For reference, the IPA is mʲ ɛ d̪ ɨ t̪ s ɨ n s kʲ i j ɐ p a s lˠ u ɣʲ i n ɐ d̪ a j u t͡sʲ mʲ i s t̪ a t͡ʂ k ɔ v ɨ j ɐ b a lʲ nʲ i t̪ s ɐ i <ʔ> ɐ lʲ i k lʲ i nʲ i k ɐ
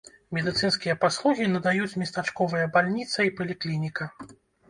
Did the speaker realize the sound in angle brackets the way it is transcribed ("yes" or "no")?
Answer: no